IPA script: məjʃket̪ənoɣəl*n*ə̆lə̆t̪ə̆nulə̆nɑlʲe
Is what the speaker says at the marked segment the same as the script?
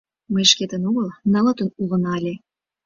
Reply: yes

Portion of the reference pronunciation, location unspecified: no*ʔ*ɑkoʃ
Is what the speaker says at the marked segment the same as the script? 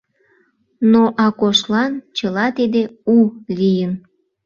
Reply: yes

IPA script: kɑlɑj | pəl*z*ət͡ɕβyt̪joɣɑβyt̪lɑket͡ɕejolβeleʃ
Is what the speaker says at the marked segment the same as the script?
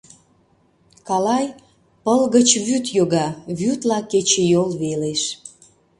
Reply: no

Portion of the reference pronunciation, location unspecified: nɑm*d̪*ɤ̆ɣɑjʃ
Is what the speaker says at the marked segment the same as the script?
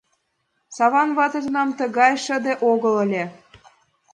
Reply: no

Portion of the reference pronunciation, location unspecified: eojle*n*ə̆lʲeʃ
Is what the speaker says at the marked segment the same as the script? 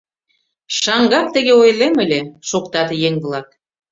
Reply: no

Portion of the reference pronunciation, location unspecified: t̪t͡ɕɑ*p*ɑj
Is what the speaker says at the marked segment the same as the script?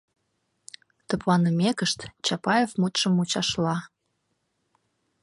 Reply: yes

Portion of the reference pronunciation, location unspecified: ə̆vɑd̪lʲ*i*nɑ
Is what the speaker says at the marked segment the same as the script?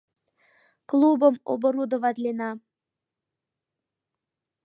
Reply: no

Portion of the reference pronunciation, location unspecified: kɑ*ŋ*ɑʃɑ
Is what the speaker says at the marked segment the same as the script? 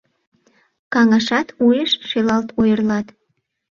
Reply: yes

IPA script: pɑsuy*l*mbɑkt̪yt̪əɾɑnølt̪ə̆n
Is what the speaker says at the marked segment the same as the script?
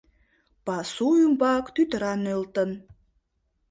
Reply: no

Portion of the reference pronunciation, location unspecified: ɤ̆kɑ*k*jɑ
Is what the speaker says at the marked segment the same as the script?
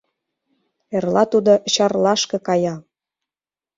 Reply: no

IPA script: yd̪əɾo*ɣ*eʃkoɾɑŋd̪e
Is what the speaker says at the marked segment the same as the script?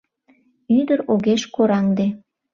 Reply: yes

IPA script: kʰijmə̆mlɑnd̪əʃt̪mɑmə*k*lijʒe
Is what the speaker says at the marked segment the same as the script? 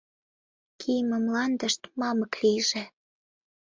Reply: yes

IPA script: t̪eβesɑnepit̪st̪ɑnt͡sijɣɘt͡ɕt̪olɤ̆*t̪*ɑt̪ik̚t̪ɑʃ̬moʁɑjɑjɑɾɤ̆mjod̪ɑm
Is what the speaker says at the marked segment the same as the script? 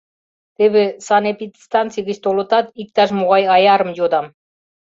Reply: yes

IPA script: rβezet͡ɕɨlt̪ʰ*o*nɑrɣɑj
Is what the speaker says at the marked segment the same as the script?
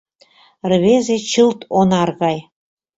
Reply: yes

